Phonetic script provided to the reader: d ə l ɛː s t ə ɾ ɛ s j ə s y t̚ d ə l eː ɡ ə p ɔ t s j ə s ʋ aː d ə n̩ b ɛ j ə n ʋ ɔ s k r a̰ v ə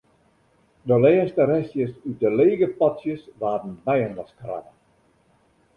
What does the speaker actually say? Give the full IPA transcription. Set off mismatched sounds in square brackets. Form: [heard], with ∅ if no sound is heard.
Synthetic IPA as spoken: d ə l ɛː s t ə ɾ ɛ s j ə s y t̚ d ə l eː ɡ ə p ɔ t s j ə s ʋ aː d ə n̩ b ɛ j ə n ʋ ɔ s k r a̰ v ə